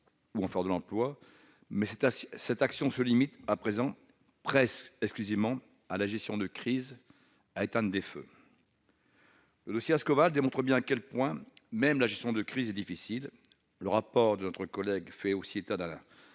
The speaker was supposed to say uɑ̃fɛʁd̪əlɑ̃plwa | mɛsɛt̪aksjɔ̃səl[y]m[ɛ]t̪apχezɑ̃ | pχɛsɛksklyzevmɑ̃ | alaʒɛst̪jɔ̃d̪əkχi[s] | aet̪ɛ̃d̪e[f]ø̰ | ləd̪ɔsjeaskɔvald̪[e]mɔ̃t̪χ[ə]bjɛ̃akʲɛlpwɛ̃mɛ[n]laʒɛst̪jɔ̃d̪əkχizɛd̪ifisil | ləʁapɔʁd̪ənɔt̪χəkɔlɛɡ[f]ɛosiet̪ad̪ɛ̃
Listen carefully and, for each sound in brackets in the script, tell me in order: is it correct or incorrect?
incorrect: i, incorrect: i, incorrect: z, correct, correct, correct, incorrect: m, correct

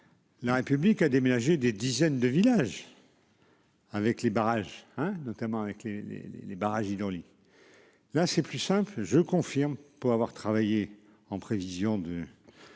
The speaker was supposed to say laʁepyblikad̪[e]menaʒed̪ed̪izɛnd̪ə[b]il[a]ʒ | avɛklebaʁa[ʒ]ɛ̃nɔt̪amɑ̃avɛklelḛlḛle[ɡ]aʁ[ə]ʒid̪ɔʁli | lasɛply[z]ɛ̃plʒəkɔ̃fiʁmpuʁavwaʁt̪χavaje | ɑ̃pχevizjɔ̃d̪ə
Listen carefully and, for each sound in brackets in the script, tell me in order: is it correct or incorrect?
correct, incorrect: v, correct, correct, incorrect: b, incorrect: a, incorrect: s

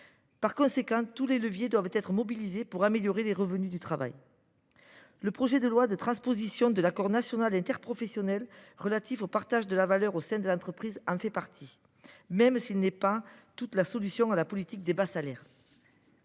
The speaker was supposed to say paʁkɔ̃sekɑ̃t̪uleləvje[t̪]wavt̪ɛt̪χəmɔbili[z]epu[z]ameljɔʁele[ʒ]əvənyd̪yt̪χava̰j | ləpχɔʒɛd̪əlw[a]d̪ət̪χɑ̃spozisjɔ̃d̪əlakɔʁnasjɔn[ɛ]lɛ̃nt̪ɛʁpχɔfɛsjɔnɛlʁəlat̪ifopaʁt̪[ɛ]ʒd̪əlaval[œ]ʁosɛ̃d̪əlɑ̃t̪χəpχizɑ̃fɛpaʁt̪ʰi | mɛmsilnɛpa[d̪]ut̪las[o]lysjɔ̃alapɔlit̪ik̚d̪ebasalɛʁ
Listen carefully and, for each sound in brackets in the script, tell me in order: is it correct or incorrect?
incorrect: d̪, correct, incorrect: ʁ, incorrect: ʁ, correct, incorrect: a, incorrect: a, correct, incorrect: t̪, incorrect: ɔ

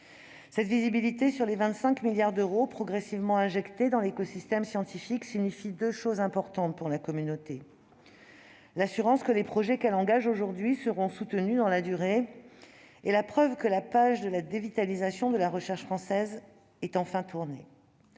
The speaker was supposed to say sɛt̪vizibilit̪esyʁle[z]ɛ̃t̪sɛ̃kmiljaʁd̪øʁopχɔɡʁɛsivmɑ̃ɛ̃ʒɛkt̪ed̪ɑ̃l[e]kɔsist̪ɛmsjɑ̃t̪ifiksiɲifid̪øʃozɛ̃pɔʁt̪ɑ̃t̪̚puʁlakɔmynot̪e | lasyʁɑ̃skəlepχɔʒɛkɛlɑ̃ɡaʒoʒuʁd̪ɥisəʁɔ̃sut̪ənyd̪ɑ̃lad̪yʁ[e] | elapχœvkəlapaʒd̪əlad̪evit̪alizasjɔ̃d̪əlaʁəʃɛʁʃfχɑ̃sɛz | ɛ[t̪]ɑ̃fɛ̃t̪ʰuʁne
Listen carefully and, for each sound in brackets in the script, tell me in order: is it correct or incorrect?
incorrect: v, correct, correct, correct

